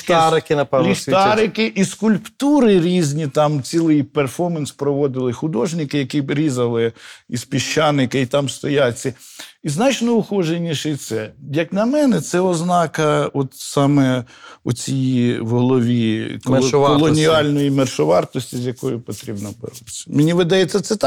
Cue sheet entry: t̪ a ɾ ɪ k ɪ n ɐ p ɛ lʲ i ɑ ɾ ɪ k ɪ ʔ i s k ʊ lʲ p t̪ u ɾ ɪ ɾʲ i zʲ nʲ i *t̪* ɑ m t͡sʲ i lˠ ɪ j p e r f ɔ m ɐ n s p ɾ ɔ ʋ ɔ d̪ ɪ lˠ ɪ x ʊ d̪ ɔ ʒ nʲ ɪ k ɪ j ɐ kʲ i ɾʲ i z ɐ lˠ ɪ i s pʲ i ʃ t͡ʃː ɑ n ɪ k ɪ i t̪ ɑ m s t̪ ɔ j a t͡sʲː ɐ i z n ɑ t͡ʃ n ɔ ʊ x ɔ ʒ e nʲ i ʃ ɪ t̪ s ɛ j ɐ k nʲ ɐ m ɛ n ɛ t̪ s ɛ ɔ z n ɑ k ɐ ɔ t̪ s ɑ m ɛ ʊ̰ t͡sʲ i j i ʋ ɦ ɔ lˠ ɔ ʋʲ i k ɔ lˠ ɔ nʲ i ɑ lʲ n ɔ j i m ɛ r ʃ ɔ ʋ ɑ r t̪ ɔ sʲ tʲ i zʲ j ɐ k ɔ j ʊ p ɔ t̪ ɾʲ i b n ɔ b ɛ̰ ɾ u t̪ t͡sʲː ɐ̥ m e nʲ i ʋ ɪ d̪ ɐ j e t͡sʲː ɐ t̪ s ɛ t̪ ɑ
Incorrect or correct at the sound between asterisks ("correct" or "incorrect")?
correct